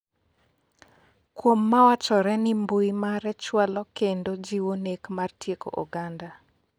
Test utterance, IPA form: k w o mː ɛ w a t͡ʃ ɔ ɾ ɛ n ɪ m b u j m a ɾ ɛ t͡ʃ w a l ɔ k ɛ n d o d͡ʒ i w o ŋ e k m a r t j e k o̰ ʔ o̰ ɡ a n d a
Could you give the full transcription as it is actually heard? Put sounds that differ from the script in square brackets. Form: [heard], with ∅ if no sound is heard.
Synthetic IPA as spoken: k w o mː [a] w a t͡ʃ ɔ ɾ ɛ n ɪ m b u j m a ɾ ɛ t͡ʃ w a l ɔ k [e] n d o d͡ʒ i w o [n] e k m a r t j e k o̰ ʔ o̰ ɡ a n d a